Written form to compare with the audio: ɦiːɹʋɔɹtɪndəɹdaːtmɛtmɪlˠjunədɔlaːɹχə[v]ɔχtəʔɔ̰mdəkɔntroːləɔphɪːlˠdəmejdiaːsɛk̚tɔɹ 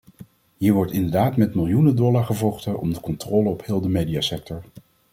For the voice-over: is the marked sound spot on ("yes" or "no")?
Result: yes